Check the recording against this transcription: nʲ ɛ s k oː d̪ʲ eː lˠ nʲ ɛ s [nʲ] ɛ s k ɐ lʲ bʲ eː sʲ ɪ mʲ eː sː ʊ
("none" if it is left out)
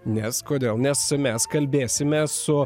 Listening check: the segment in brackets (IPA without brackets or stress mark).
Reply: mʲ